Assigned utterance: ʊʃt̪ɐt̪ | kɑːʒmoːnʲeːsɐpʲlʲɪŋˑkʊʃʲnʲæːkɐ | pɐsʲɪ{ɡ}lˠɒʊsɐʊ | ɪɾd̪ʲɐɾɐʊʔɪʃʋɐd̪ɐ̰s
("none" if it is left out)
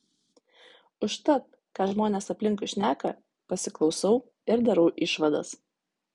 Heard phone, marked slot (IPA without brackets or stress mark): k